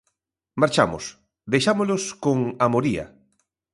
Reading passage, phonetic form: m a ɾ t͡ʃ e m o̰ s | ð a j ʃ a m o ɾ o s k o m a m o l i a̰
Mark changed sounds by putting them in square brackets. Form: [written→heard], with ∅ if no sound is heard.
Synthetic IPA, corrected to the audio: m a ɾ t͡ʃ [e→a] m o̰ s | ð [a→e] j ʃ a m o [ɾ→l] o s k o [m→ŋ] a m o [l→ɾ] i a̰